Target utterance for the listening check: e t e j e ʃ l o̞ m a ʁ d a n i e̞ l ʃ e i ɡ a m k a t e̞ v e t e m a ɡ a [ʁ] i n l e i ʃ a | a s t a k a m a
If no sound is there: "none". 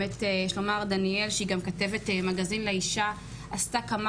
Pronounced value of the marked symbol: z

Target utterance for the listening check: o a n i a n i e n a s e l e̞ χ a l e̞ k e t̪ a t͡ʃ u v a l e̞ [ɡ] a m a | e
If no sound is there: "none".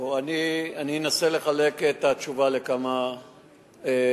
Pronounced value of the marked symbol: k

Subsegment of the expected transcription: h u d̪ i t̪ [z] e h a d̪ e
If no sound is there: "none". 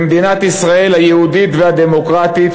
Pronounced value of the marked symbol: v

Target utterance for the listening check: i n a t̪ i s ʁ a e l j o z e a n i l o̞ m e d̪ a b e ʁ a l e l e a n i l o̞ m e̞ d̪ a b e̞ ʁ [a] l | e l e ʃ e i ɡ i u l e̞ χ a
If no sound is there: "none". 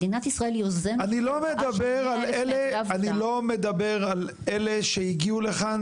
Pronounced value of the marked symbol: a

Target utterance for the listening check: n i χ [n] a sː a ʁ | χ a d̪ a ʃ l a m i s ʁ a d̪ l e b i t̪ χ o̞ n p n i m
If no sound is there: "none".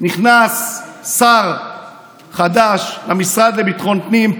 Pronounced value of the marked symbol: n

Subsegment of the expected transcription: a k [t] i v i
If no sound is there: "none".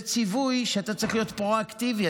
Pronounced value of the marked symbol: t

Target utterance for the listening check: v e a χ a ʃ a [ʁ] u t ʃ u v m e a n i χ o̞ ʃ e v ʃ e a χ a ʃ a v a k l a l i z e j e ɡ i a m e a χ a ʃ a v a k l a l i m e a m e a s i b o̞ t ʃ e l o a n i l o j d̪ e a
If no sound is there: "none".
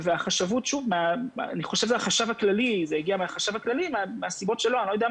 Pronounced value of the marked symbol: v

